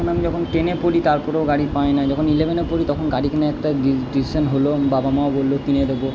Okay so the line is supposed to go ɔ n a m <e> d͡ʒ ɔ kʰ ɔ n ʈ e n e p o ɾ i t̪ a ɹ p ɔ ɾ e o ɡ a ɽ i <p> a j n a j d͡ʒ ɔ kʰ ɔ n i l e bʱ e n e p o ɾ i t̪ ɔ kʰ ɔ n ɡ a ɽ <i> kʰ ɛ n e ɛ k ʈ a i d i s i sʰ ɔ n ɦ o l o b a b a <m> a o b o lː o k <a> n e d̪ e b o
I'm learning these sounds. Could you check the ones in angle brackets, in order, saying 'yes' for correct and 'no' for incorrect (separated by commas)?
no, yes, yes, yes, no